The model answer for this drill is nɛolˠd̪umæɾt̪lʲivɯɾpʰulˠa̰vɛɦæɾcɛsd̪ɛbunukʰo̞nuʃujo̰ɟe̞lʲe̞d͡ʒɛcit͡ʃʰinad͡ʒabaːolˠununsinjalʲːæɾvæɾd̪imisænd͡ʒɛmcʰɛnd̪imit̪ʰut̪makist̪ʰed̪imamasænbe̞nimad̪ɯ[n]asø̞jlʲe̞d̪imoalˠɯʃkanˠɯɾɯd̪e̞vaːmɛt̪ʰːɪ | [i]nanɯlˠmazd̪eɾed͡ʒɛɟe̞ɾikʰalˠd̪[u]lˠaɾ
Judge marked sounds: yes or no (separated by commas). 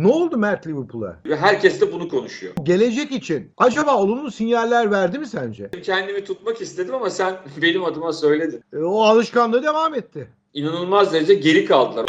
no, yes, no